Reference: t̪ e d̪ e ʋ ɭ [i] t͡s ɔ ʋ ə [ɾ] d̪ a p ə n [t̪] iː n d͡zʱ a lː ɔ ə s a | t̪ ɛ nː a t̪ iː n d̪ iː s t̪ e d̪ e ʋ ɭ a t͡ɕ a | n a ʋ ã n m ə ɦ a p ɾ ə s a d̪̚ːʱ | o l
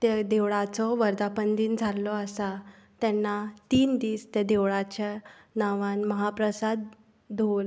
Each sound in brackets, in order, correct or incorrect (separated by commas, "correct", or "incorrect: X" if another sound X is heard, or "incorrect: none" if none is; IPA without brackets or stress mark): incorrect: a, correct, incorrect: d̪